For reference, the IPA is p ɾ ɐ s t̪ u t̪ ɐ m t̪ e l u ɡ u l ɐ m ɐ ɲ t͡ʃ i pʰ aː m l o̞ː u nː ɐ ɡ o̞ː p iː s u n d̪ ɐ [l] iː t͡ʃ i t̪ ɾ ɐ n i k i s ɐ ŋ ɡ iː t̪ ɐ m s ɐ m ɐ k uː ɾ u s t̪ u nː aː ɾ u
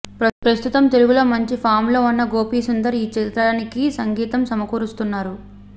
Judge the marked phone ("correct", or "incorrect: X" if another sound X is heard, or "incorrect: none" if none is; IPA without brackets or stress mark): incorrect: ɾ